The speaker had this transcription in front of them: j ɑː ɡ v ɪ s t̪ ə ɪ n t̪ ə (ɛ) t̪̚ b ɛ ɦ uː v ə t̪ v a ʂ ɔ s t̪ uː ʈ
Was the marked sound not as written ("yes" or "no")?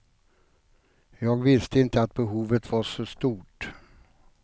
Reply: yes